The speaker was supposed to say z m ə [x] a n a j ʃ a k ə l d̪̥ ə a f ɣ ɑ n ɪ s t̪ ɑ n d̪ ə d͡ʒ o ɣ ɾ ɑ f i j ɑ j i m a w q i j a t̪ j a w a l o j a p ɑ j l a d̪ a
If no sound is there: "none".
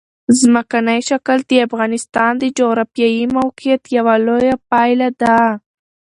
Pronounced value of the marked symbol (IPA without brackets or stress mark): k